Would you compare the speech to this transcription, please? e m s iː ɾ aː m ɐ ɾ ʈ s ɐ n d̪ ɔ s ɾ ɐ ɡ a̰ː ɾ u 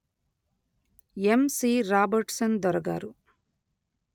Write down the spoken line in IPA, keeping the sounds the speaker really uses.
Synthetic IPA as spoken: e m s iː ɾ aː b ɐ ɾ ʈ s ɐ n d̪ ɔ ɾ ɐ ɡ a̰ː ɾ u